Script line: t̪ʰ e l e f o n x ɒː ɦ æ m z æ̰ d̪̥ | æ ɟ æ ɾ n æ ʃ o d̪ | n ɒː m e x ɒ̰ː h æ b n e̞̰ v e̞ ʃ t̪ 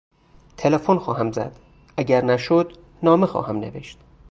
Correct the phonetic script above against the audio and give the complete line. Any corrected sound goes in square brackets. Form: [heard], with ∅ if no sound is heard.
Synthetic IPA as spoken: t̪ʰ e l e f o n x ɒː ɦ æ m z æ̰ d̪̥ | æ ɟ æ ɾ n æ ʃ o d̪ | n ɒː m e x ɒ̰ː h æ [m] n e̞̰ v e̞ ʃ t̪